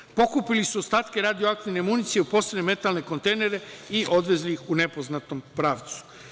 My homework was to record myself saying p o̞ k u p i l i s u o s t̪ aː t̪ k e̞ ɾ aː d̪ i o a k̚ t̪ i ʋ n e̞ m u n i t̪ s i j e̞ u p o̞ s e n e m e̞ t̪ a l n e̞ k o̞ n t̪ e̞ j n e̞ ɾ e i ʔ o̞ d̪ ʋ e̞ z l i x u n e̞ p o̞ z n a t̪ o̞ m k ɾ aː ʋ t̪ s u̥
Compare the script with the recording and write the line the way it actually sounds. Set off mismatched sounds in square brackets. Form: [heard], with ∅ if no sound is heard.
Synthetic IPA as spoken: p o̞ k u p i l i s u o s t̪ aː t̪ k e̞ ɾ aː d̪ i o a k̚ t̪ i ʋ n e̞ m u n i t̪ s i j e̞ u p o̞ s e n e m e̞ t̪ a l n e̞ k o̞ n t̪ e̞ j n e̞ ɾ e i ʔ o̞ d̪ ʋ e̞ z l i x u n e̞ p o̞ z n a t̪ o̞ m [p] ɾ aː ʋ t̪ s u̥